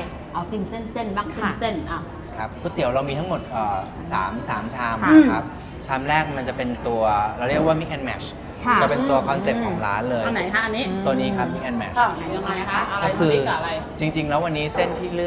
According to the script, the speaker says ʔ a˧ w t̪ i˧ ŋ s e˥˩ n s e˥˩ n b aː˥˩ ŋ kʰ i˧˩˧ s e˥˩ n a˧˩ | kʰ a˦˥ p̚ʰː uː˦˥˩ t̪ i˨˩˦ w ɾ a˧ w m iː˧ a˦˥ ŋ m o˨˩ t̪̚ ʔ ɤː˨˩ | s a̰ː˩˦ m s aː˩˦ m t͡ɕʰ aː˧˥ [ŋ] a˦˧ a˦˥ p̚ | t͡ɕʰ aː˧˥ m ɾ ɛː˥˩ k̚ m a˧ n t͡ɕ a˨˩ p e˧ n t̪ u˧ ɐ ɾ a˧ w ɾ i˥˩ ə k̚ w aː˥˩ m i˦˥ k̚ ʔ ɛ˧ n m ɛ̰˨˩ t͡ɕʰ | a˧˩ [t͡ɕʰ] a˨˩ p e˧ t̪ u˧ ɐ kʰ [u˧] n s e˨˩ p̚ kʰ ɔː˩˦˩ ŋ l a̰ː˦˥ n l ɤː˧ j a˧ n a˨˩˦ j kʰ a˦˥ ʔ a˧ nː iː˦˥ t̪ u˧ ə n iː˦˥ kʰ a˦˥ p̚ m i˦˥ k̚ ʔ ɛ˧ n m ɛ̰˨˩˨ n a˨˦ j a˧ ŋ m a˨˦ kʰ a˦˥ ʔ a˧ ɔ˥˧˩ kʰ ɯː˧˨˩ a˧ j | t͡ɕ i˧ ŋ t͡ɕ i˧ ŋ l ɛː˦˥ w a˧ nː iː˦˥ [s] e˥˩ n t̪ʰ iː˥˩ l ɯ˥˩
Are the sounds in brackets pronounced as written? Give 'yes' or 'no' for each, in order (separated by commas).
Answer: no, no, no, yes